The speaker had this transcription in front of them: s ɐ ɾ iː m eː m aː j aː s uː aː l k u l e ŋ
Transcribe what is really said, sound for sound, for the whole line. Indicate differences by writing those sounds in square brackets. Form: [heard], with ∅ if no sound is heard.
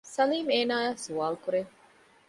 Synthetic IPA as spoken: s ɐ [l] iː m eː [n] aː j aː s [u] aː l k u [ɾ] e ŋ

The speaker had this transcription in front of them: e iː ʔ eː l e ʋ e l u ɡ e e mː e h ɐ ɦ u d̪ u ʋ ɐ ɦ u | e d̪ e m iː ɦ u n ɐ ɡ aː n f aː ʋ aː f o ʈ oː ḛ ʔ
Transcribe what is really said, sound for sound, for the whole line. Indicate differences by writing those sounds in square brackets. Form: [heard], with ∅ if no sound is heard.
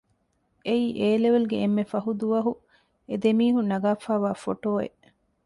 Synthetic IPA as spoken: e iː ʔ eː l e ʋ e l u ɡ e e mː e [f] ɐ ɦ u d̪ u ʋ ɐ ɦ u | e d̪ e m iː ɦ u n ɐ ɡ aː [∅] f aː ʋ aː f o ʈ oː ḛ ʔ

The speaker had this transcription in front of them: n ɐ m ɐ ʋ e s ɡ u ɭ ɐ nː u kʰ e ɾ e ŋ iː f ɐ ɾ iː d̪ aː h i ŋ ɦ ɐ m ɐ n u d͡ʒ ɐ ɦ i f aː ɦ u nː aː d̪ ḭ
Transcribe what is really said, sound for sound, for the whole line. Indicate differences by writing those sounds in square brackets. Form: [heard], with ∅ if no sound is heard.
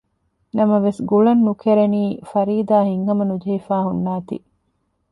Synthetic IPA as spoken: n ɐ m ɐ ʋ e s ɡ u ɭ ɐ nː u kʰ e ɾ e [n] iː f ɐ ɾ iː d̪ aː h i ŋ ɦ ɐ m ɐ n u d͡ʒ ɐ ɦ i f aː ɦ u nː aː [t̪] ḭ

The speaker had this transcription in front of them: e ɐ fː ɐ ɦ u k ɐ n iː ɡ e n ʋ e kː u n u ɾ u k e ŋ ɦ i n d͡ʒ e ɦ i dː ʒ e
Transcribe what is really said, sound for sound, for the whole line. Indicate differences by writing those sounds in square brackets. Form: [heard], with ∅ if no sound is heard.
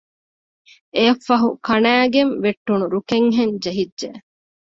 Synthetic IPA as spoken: e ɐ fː ɐ ɦ u k ɐ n [æː] ɡ e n ʋ e [ʈː] u n u ɾ u k e ŋ ɦ [e] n d͡ʒ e ɦ i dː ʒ e

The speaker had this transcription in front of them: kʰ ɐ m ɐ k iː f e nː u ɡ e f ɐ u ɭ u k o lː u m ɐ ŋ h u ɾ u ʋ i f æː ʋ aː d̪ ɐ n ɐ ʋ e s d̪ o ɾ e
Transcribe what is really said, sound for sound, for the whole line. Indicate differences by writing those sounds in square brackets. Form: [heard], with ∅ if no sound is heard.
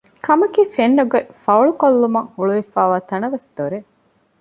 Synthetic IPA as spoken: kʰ ɐ m ɐ k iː f e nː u ɡ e f ɐ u ɭ u k o lː u m ɐ ŋ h u [ɭ] u ʋ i f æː ʋ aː [t̪] ɐ n ɐ ʋ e s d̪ o ɾ e

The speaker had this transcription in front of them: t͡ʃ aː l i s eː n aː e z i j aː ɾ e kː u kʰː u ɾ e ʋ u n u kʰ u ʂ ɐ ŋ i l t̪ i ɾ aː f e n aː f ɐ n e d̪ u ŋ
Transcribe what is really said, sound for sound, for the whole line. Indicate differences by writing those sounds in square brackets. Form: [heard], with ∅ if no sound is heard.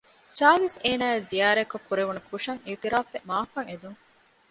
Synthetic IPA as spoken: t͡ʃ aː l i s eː n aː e z i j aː ɾ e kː [o] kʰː u ɾ e ʋ u n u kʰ u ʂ ɐ ŋ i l t̪ i ɾ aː f e [m] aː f ɐ [ŋ] e d̪ u ŋ

